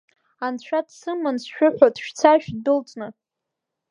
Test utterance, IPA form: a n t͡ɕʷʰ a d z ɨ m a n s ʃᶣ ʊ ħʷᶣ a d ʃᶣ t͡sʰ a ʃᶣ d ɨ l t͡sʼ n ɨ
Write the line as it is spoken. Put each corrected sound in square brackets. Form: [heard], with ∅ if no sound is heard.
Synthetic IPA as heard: a n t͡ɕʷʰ a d [s] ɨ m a n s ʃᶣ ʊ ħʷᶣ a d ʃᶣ t͡sʰ a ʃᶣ d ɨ l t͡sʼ n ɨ